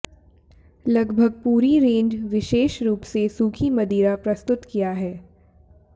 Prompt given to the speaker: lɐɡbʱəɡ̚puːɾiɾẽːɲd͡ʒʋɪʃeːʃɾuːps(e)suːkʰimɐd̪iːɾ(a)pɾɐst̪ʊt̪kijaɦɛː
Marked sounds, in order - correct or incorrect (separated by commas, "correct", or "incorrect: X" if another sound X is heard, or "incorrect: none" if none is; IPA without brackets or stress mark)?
correct, correct